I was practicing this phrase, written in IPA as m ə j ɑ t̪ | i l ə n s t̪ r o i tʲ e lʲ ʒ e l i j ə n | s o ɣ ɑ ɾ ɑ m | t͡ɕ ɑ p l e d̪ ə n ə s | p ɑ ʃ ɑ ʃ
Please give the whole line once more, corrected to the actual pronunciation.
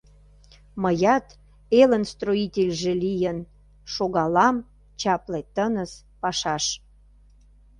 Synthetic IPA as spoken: m ə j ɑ t̪ | e l ə n s t̪ r o i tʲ e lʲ ʒ e l i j ə n | ʃ o ɣ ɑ l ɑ m | t͡ɕ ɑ p l e t̪ ə n ə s | p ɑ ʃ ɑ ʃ